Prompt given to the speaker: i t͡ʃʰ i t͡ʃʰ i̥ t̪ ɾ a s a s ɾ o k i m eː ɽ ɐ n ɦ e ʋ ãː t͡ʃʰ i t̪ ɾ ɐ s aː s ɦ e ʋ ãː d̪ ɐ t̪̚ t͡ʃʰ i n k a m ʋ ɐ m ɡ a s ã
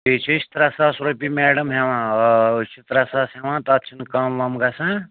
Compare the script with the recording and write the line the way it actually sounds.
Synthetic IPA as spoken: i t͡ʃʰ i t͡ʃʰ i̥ t̪ ɾ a s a s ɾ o p i m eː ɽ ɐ m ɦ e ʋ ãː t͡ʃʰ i t̪ ɾ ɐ s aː s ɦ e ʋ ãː t̪ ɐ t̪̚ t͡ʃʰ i n k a m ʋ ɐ m ɡ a s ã